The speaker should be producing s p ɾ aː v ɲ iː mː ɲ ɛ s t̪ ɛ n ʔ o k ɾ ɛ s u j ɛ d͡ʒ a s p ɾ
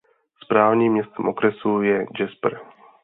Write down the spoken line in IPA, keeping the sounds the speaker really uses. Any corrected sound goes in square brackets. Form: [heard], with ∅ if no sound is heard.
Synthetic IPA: s p ɾ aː v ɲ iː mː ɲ ɛ s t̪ ɛ [m] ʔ o k ɾ ɛ s u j ɛ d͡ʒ [ɛ] s p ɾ